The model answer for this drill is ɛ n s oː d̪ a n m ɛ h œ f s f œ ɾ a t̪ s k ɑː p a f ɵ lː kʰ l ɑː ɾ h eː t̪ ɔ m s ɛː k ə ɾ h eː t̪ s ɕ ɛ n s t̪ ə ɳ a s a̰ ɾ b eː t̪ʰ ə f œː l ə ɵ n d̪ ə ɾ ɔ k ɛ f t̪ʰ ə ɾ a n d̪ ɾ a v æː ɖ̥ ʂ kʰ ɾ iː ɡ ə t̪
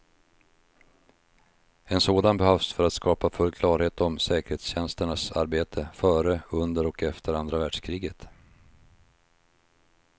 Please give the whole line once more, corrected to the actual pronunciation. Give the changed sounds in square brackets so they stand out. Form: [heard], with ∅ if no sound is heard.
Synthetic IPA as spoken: ɛ n s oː d̪ a n [b] ɛ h œ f s f œ ɾ a t̪ s k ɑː p a f ɵ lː kʰ l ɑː ɾ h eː t̪ ɔ m s ɛː k ə ɾ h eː t̪ s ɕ ɛ n s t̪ ə ɳ a s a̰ ɾ b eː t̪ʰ ə f œː [ɾ] ə ɵ n d̪ ə ɾ ɔ k ɛ f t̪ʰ ə ɾ a n d̪ ɾ a v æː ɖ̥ ʂ kʰ ɾ iː ɡ ə t̪